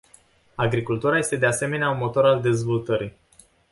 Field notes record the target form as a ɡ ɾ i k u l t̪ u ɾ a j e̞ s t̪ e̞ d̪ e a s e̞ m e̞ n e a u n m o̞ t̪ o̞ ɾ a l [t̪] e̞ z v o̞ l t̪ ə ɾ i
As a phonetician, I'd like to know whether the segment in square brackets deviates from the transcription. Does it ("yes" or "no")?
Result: yes